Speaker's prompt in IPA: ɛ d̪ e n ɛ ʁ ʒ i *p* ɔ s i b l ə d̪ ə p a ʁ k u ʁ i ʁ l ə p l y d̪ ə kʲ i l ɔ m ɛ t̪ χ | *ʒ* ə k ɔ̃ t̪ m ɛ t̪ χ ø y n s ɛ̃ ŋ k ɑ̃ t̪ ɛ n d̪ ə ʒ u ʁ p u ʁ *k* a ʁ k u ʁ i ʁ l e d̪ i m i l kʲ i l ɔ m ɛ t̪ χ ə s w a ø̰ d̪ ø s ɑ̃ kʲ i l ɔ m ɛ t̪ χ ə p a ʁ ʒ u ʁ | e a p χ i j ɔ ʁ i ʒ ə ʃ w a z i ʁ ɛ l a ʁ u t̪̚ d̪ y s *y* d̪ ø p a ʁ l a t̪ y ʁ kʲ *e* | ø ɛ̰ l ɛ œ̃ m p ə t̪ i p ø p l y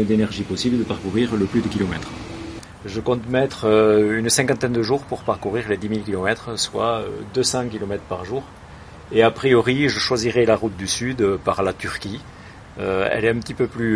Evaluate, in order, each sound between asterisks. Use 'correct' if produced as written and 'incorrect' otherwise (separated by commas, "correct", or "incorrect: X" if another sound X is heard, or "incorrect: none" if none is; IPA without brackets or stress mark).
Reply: correct, correct, incorrect: p, correct, incorrect: i